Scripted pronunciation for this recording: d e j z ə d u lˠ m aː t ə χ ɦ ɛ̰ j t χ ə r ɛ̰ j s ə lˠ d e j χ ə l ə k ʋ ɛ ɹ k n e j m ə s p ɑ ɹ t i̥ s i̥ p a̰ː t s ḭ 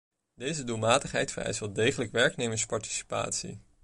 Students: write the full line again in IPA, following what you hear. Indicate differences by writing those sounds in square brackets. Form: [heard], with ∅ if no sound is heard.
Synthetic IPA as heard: d e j z ə d u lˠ m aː t ə χ ɦ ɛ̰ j t [f] ə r ɛ̰ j s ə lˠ d e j χ ə l ə k ʋ ɛ ɹ k n e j m ə s p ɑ ɹ t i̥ s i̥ p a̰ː t s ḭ